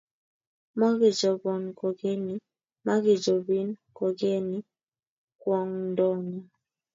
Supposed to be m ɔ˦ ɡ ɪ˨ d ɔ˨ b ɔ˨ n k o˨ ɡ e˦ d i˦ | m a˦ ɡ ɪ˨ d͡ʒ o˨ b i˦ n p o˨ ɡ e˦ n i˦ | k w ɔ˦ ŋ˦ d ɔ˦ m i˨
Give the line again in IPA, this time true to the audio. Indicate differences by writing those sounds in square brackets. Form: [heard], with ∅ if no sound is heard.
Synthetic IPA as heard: m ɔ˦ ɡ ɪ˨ [d͡ʒ] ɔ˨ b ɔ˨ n k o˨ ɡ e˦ [n] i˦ | m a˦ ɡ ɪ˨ d͡ʒ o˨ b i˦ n [k] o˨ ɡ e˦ n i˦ | k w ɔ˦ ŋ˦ d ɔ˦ [n] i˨